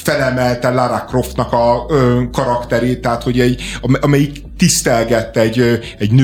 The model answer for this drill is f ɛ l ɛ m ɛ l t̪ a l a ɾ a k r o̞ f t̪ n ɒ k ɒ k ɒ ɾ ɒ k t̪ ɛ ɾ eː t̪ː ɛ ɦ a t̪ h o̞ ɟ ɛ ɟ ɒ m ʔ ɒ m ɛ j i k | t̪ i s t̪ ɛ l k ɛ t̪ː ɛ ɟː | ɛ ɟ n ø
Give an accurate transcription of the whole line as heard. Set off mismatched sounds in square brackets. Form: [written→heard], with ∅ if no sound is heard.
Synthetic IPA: f ɛ l ɛ m ɛ l t̪ [a→ɛ] l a ɾ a k r o̞ f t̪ n ɒ k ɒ k ɒ ɾ ɒ k t̪ ɛ ɾ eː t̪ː ɛ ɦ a t̪ h o̞ ɟ ɛ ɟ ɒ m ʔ ɒ m ɛ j i k | t̪ i s t̪ ɛ l [k→ɡ] ɛ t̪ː ɛ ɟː | ɛ ɟ n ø